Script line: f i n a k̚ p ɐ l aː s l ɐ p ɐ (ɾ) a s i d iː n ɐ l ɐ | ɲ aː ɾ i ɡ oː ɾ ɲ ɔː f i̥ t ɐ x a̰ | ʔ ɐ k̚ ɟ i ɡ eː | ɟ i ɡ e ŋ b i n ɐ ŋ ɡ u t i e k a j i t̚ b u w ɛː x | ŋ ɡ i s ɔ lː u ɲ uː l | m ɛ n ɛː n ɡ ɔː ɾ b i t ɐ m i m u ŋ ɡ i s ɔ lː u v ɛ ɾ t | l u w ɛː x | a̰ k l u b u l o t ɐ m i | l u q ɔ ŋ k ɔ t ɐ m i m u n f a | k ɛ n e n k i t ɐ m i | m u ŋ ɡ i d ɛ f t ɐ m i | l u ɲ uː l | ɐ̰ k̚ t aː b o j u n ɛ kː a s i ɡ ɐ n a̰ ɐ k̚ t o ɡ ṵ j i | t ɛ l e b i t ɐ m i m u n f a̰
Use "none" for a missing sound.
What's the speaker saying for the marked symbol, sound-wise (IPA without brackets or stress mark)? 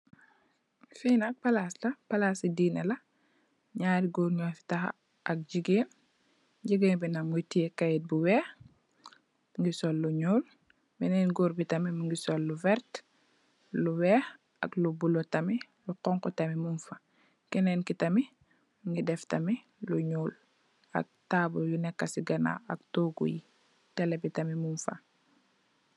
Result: l